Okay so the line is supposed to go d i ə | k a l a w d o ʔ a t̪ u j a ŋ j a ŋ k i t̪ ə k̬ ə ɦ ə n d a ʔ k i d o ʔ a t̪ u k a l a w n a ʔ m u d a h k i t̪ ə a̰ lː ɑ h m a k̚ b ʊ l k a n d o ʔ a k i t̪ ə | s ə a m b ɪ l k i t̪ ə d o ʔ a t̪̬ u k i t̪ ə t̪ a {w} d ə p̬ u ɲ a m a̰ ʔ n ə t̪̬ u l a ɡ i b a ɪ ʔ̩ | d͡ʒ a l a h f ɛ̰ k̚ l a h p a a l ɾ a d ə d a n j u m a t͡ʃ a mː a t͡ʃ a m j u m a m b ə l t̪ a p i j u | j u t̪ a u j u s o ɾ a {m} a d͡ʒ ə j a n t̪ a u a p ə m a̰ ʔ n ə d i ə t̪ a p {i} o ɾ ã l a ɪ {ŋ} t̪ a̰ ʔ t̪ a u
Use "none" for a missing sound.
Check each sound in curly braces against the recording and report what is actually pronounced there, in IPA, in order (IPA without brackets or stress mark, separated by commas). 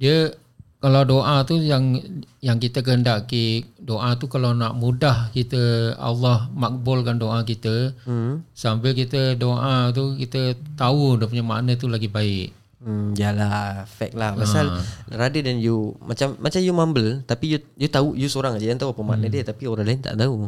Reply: u, ŋ, i, n